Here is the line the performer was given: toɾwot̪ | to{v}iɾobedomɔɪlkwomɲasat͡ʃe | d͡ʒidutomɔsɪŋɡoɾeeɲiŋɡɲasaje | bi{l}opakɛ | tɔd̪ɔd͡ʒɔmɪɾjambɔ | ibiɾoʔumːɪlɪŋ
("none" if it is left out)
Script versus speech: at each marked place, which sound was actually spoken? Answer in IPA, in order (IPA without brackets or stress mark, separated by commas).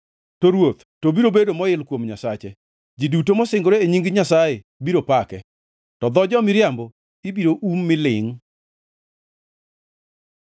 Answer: b, ɾ